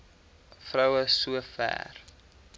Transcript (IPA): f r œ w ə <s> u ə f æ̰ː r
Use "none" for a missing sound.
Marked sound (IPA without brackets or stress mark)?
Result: s